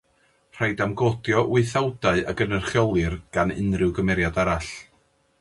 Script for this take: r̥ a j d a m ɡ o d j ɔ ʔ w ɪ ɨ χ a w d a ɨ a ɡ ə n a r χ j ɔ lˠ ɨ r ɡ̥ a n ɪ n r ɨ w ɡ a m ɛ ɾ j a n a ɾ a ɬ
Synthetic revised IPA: r̥ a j d a m ɡ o d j ɔ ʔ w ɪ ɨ θ a w d a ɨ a ɡ ə n ə r χ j ɔ lˠ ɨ r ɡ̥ a n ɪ n r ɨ w ɡ ə m ɛ ɾ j a d a ɾ a ɬ